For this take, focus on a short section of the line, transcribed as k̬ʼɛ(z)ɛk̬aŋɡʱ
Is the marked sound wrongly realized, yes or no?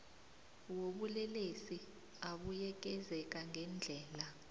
no